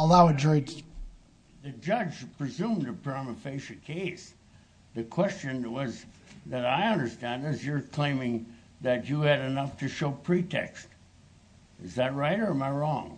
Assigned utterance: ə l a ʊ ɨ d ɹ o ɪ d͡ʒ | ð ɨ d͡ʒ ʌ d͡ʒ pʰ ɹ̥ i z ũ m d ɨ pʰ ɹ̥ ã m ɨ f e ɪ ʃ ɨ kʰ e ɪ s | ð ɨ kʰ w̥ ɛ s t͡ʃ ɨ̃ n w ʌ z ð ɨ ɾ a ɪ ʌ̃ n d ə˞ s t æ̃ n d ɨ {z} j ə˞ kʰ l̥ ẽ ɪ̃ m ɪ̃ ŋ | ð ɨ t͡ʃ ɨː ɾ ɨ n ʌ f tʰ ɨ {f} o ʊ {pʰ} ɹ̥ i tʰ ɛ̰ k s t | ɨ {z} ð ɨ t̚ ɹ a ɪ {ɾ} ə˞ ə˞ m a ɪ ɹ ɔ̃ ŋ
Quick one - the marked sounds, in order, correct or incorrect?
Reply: correct, incorrect, correct, correct, correct

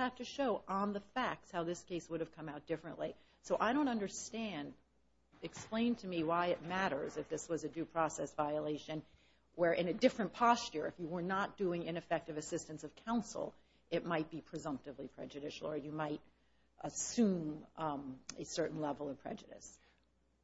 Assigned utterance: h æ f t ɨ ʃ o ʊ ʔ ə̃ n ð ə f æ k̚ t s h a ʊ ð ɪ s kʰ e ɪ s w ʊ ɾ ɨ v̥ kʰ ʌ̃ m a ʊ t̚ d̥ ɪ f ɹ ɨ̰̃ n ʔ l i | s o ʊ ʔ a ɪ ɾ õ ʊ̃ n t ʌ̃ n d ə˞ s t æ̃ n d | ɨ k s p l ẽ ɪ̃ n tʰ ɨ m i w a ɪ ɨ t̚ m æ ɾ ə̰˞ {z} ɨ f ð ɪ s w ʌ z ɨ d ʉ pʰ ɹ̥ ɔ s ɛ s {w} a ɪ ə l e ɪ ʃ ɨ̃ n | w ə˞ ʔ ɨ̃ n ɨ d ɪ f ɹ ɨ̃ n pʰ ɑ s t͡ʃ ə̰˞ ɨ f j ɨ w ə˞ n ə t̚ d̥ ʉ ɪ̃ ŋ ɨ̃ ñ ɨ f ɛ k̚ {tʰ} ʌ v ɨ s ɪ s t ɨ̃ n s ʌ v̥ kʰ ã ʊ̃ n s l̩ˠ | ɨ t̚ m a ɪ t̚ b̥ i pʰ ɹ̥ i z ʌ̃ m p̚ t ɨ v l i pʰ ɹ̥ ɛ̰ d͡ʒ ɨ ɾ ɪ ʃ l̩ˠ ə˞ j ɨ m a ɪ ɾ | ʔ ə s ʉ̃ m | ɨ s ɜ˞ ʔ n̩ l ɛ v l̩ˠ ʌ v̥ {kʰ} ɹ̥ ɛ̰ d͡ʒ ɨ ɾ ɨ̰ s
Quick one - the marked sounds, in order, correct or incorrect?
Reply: correct, incorrect, incorrect, incorrect

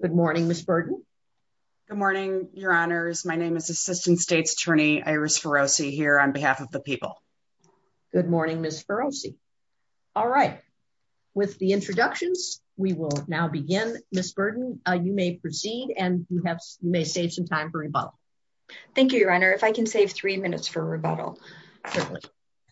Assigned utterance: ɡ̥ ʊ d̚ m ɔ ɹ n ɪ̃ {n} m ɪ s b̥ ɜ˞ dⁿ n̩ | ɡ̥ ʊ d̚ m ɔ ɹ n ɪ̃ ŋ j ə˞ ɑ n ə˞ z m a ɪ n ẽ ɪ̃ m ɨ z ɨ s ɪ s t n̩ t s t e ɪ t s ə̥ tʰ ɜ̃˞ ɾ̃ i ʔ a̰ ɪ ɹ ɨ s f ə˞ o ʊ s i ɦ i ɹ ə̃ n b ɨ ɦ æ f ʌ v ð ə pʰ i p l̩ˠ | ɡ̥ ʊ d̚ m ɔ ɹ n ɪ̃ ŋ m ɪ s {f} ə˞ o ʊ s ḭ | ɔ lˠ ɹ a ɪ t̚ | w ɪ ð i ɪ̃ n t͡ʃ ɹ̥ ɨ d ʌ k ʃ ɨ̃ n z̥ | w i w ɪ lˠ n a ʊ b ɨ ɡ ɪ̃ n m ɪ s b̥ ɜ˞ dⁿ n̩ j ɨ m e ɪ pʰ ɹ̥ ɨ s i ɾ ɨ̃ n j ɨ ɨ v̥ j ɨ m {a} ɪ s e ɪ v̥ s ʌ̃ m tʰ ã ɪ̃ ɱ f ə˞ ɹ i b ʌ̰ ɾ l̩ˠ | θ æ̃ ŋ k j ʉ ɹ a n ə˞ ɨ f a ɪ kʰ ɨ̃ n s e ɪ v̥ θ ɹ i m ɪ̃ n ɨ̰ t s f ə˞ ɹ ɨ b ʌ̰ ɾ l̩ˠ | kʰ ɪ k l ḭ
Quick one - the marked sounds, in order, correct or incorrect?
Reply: incorrect, correct, incorrect

